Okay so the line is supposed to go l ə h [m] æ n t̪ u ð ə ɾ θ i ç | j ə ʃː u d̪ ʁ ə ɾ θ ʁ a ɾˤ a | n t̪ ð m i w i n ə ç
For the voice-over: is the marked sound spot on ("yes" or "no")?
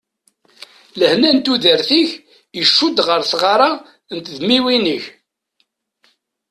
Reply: no